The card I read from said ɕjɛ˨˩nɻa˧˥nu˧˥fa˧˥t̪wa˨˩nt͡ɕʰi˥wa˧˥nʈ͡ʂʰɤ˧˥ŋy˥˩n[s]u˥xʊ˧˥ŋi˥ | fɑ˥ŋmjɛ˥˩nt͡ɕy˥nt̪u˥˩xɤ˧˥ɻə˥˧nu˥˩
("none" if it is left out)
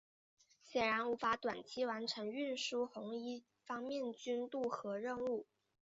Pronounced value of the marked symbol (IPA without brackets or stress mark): ʂ